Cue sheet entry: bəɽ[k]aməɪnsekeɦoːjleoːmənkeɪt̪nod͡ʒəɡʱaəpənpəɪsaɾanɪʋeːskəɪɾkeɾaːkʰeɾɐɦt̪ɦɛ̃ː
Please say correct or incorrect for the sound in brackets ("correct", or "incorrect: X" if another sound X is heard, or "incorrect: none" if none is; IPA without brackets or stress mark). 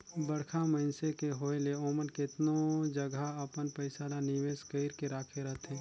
incorrect: kʰ